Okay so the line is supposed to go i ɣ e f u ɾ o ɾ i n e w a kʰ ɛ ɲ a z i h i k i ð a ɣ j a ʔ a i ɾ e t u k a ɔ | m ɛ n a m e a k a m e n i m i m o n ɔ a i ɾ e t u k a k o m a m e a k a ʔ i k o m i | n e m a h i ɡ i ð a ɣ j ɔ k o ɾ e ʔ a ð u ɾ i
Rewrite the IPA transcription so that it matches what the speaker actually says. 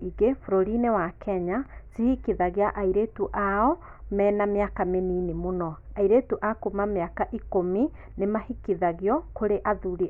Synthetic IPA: i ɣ e f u ɾ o ɾ i n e w a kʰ ɛ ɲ a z i h i k i ð a ɣ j a ʔ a i ɾ e t u ʔ a ɔ | m ɛ n a m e a k a m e n i n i m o n ɔ a i ɾ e t u ʔ a k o m a m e a k a ʔ i k o m i | n e m a h i k i ð a ɣ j ɔ k o ɾ e ʔ a ð u ɾ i